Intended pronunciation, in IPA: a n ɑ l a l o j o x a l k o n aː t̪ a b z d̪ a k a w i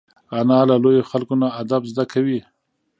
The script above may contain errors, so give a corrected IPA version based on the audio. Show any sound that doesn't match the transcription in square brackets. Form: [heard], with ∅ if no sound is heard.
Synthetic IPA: a n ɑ l a l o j o x a l k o n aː [d̪] a b z d̪ a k a w i